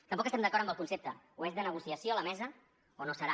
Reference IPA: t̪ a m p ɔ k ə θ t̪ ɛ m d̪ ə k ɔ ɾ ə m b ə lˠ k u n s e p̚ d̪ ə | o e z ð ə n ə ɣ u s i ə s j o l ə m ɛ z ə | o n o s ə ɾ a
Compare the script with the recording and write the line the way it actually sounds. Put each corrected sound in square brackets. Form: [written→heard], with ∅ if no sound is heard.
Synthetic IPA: t̪ [a→ə] m p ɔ k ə [θ→s] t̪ ɛ m d̪ ə k ɔ ɾ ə m b ə lˠ k u n s e p̚ [d̪→t̪] ə | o e z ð ə n ə ɣ u s i ə s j o l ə m ɛ z ə | o n o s ə ɾ a